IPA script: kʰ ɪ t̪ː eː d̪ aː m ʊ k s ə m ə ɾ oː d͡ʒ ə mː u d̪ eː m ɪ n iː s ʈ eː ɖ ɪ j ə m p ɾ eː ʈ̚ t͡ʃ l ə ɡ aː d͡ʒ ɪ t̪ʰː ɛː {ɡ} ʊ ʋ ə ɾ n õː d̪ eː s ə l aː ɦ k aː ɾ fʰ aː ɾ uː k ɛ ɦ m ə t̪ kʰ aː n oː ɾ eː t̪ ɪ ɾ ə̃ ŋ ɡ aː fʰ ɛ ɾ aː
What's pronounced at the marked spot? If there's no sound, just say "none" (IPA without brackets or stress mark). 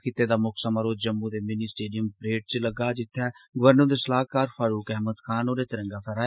ɡ